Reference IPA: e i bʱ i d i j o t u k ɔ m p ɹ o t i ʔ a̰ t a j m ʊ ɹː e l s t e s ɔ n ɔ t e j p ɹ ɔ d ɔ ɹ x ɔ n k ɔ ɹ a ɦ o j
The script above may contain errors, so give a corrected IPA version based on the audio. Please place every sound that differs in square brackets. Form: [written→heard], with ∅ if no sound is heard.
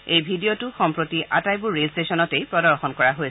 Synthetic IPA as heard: e [i→j] bʱ i d i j o t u [k→x] ɔ m p ɹ o t i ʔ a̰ t a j [m→b] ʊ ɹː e l s t e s ɔ n ɔ t e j p ɹ ɔ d ɔ ɹ x ɔ n k ɔ ɹ a ɦ o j